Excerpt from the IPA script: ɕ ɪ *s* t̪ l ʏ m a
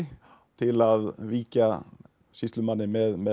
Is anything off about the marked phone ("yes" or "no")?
no